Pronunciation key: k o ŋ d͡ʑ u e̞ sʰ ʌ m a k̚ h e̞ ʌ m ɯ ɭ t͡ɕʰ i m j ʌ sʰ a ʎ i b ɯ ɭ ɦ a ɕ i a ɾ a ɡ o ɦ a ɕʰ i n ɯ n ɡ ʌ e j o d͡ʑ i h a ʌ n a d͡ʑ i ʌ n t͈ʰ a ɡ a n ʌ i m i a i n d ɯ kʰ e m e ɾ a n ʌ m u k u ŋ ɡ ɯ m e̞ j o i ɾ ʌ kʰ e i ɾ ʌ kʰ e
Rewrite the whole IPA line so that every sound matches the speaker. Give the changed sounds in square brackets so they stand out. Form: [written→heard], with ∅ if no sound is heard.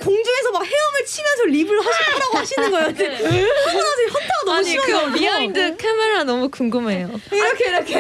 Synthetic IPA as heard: k o ŋ d͡ʑ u e̞ sʰ ʌ m a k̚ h e̞ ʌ m ɯ ɭ t͡ɕʰ i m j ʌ sʰ [a→ʌ] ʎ i b ɯ ɭ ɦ a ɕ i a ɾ a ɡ o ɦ a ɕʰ i n ɯ n ɡ ʌ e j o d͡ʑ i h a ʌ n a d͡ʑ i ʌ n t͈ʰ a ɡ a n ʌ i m i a i n d ɯ kʰ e m e ɾ a n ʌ m u k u ŋ ɡ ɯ m e̞ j o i ɾ ʌ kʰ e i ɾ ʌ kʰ e